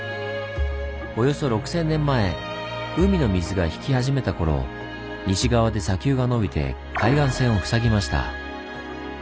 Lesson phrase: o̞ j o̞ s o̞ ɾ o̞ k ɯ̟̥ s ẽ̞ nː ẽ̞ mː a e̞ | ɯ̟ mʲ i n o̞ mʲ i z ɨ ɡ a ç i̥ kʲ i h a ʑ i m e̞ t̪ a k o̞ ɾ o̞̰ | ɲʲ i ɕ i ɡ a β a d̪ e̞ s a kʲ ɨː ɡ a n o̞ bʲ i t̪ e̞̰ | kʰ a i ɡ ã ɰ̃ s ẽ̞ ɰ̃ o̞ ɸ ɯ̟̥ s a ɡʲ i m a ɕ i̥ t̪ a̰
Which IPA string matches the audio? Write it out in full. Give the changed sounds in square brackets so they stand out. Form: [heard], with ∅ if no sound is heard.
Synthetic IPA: o̞ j o̞ s o̞ ɾ o̞ k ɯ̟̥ s ẽ̞ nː ẽ̞ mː a e̞ | ɯ̟ mʲ i n o̞ mʲ i z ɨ ɡ a ç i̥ kʲ i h a ʑ i m e̞ t̪ a k o̞ ɾ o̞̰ | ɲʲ i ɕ i ɡ a β a d̪ e̞ s a kʲ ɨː ɡ a n o̞ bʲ i t̪ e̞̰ | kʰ a i ɡ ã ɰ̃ s ẽ̞ ɰ̃ o̞ ɸ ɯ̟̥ s a ɡʲ i m a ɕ i̥ t̪ a̰